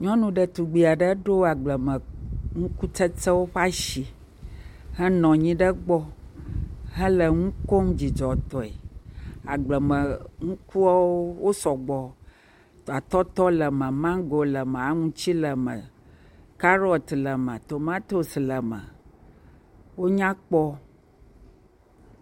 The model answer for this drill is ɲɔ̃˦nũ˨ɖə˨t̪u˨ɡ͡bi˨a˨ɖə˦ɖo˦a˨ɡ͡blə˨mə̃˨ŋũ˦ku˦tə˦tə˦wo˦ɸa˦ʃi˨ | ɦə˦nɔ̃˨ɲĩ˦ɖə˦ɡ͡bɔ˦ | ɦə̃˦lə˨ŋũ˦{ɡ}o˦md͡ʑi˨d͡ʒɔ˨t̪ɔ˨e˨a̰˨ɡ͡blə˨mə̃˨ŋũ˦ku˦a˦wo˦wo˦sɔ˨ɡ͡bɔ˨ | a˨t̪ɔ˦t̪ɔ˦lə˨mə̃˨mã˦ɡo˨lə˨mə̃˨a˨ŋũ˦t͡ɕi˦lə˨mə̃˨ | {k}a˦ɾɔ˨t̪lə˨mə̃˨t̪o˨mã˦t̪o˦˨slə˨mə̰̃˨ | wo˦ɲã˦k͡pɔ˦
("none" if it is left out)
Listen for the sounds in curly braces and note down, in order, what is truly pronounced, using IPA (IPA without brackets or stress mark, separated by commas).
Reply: k, k